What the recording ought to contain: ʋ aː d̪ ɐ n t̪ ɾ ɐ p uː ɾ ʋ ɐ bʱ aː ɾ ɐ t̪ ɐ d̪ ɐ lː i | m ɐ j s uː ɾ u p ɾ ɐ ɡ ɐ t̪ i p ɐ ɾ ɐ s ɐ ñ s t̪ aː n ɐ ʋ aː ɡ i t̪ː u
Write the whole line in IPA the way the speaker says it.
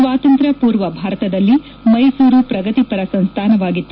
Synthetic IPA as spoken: ʋ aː t̪ ɐ n t̪ ɾ ɐ p uː ɾ ʋ ɐ bʱ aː ɾ ɐ t̪ ɐ d̪ ɐ lː i | m ɐ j s uː ɾ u p ɾ ɐ ɡ ɐ t̪ i p ɐ ɾ ɐ s ɐ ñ s t̪ʰ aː n ɐ ʋ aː ɡ i t̪ː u